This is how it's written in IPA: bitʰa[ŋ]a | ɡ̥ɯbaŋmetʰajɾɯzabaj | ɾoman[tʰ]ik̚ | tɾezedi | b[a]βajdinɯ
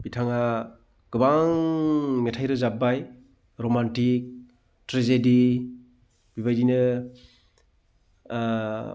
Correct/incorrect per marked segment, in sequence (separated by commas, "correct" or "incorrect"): correct, incorrect, incorrect